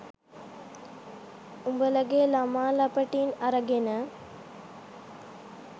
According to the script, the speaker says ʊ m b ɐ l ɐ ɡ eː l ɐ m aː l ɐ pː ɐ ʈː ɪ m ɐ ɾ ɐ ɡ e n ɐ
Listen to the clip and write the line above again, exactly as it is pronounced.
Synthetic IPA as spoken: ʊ m b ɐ l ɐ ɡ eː l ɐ m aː l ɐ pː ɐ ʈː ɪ n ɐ ɾ ɐ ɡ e n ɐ